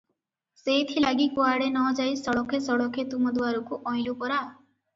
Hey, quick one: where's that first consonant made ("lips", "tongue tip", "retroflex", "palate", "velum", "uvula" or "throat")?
tongue tip